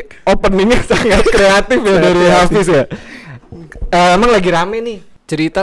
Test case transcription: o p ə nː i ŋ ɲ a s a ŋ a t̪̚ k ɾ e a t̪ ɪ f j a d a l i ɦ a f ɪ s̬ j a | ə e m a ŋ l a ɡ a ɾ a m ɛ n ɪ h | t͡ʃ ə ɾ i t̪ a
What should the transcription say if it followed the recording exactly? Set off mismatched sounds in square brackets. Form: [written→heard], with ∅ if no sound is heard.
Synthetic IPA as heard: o p ə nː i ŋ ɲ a s a ŋ a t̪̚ k ɾ e a t̪ ɪ f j a d a [l→ɾ] i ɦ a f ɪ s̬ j a | ə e m a ŋ l a ɡ [a→i] ɾ a m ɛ n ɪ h | t͡ʃ ə ɾ i t̪ a